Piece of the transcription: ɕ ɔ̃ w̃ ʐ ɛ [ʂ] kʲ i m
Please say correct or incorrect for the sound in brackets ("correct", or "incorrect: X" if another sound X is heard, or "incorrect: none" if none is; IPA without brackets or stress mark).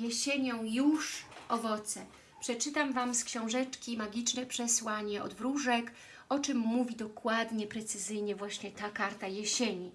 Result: incorrect: t͡ʂ